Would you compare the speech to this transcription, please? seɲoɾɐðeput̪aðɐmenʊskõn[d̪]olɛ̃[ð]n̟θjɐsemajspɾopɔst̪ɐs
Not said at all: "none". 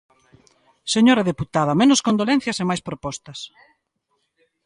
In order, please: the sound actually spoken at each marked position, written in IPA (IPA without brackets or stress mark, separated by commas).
d̪, none